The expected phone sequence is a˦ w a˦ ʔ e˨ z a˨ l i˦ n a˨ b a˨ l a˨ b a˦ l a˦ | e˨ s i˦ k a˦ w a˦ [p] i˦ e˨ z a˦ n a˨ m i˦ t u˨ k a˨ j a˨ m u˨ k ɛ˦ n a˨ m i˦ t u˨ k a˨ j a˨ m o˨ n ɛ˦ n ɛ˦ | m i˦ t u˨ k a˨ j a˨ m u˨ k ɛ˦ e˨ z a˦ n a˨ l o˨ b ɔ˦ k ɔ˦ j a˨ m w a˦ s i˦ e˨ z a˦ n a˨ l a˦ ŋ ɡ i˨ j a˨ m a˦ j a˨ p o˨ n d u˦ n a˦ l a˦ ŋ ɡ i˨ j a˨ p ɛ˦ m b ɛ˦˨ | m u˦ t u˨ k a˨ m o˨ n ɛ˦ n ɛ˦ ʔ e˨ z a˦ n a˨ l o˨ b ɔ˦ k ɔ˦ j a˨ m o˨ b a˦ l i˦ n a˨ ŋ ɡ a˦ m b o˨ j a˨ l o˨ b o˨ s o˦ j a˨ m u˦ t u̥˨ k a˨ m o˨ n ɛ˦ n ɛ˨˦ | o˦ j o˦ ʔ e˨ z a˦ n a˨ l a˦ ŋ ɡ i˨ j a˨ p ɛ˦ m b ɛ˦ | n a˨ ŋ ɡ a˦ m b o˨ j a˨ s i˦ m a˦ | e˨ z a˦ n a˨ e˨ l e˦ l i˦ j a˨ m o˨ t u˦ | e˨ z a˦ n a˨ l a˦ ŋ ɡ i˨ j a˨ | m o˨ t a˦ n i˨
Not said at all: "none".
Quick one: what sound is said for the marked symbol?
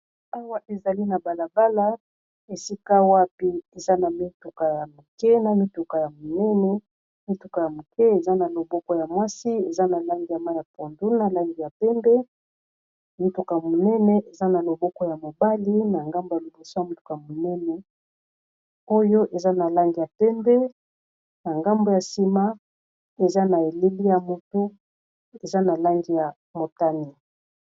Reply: p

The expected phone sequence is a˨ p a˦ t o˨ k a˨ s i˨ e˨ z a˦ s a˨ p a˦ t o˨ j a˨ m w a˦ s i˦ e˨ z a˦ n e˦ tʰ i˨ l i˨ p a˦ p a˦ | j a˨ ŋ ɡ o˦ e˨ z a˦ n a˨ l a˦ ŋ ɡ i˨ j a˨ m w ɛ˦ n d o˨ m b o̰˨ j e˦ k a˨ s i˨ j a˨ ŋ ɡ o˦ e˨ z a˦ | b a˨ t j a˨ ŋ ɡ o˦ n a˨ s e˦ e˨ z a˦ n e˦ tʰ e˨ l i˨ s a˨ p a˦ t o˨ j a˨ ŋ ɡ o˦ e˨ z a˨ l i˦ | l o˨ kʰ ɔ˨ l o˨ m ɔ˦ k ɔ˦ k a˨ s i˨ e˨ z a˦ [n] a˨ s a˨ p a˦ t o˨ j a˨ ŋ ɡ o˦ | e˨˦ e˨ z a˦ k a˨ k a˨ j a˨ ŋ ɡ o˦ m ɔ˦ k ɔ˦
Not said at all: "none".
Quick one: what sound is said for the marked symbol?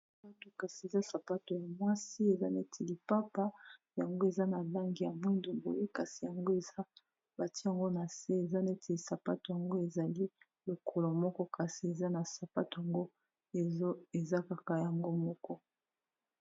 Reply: n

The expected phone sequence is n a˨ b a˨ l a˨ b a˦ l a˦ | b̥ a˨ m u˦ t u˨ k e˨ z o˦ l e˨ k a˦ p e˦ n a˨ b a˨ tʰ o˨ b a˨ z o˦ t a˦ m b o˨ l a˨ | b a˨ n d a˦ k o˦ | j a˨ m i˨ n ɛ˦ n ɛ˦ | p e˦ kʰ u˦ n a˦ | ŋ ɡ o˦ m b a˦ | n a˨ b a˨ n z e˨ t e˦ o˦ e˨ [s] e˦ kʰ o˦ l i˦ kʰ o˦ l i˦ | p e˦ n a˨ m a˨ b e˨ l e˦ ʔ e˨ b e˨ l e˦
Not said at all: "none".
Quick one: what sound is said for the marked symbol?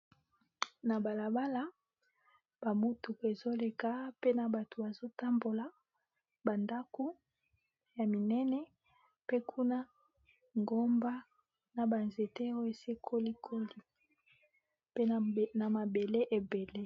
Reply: s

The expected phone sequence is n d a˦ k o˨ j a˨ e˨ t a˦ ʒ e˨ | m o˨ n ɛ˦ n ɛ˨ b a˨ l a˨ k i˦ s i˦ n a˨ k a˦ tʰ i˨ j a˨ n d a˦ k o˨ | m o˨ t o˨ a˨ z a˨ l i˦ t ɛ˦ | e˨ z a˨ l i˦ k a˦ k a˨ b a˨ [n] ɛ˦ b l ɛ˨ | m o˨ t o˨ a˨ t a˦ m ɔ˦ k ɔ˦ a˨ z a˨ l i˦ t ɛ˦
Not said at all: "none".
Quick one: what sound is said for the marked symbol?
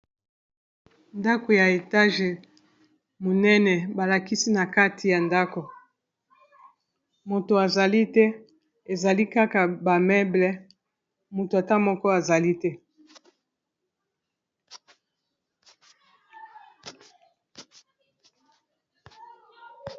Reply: m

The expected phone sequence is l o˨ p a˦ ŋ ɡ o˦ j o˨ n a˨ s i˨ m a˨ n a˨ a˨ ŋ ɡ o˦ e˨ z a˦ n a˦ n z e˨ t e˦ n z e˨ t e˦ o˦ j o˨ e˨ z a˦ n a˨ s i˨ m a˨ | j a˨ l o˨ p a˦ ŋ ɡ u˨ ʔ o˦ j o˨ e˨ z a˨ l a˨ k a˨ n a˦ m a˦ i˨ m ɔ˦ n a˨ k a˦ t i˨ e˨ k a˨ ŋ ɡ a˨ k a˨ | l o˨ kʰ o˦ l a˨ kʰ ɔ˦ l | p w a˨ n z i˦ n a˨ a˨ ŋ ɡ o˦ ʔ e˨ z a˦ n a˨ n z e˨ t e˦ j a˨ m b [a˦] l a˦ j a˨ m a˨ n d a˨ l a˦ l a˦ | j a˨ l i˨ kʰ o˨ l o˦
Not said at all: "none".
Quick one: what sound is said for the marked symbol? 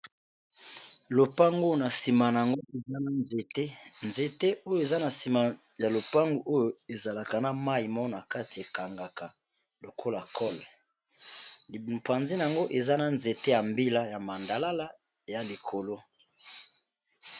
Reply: i˦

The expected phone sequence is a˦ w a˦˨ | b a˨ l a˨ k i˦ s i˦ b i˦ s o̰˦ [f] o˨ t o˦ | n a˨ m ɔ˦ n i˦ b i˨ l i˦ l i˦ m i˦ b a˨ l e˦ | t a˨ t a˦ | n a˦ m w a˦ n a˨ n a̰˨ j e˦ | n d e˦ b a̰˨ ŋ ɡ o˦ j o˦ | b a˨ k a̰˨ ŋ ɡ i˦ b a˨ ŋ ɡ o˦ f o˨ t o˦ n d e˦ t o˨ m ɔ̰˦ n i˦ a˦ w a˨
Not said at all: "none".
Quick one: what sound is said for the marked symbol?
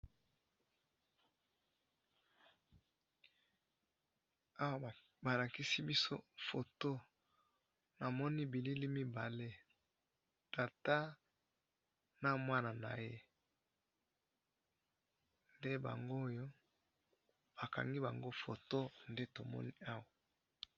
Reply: f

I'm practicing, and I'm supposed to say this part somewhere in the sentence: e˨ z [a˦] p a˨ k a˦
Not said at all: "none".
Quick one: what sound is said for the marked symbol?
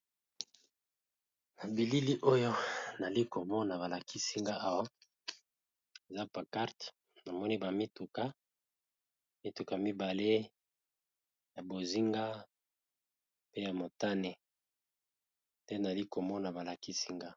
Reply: a˦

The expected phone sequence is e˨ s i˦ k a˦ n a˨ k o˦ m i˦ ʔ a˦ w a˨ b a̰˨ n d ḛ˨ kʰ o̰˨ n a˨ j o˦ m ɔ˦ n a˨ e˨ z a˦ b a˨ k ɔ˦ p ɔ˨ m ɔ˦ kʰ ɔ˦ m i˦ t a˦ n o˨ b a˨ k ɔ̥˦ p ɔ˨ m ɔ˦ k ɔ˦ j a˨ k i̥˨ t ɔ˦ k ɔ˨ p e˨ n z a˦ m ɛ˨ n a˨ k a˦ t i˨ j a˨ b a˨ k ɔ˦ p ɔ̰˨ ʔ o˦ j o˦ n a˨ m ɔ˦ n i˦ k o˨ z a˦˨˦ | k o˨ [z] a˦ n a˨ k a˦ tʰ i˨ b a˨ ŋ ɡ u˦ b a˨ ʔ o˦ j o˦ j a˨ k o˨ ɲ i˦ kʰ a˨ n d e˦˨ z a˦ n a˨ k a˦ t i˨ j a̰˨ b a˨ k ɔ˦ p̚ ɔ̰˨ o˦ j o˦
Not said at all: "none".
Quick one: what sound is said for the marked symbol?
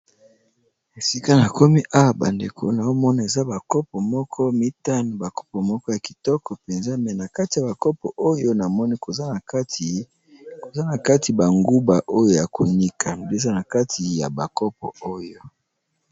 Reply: z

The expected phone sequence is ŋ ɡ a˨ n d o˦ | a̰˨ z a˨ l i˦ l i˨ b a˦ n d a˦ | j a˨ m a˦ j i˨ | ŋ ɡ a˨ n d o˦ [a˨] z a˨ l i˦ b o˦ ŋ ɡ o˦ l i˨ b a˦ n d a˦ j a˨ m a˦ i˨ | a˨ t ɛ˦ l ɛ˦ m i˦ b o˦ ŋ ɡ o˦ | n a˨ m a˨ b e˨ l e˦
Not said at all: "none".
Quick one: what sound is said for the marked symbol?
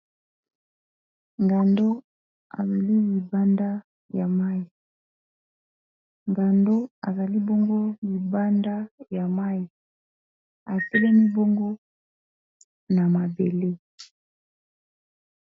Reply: a˨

